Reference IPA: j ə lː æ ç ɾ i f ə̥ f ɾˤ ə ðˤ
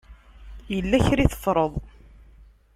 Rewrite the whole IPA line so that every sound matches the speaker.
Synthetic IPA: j ə lː æ ç ɾ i θ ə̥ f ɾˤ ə ðˤ